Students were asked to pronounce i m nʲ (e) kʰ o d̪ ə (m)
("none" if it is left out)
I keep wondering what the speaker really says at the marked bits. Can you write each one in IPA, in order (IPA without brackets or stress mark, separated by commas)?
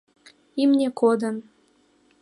e, n